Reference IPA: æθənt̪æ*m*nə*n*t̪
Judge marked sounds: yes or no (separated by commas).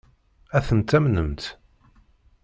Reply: yes, no